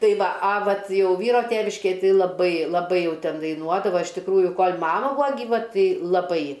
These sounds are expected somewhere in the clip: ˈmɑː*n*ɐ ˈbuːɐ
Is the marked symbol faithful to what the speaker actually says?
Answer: no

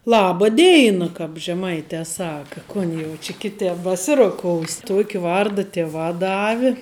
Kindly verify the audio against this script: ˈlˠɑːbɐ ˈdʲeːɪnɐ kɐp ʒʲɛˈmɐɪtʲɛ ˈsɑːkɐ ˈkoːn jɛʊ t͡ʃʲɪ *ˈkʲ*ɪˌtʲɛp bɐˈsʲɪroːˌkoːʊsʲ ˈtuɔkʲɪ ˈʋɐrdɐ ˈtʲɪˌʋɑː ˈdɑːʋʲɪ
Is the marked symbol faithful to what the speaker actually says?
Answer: yes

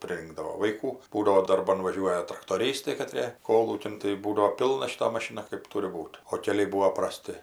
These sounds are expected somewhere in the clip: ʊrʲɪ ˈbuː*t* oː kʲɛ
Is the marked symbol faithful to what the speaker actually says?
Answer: yes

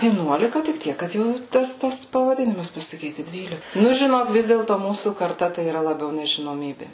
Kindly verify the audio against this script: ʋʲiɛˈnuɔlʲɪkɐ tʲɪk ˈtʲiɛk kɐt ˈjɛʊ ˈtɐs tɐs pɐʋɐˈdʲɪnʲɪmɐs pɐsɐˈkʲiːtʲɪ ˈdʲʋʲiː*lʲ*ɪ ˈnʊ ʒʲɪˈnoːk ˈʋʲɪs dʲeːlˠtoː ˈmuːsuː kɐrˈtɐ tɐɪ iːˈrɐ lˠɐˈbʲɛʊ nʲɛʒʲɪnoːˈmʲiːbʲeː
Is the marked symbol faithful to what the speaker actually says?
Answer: yes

